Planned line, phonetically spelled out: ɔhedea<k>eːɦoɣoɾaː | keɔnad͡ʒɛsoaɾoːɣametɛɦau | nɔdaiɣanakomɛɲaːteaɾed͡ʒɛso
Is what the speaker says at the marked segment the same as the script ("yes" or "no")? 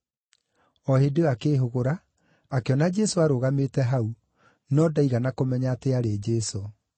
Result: yes